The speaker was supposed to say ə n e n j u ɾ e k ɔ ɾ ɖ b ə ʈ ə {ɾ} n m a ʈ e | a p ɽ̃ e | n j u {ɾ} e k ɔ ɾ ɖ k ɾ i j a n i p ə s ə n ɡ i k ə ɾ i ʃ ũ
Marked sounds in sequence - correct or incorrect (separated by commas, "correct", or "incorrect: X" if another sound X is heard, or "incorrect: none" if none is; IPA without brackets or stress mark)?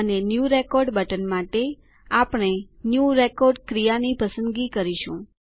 incorrect: none, correct